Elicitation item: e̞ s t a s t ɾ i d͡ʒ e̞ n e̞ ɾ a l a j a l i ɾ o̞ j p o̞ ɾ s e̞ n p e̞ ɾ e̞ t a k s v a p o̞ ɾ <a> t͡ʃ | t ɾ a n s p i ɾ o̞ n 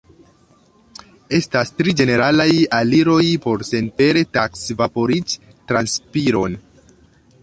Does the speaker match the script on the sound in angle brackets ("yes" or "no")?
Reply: no